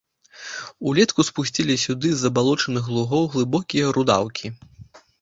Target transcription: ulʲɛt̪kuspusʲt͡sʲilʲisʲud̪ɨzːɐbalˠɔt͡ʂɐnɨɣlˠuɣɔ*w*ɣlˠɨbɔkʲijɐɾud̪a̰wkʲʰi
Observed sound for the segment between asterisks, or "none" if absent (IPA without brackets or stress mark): w